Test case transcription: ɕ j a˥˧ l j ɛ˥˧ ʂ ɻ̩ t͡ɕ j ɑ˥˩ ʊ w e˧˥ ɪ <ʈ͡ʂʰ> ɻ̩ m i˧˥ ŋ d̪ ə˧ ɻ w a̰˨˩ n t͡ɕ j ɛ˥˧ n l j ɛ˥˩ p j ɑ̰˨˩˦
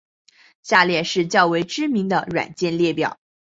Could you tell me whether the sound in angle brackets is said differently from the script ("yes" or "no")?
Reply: yes